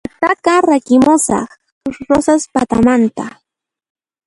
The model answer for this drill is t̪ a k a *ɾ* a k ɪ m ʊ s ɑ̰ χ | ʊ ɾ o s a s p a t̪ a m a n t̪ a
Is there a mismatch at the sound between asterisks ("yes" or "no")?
no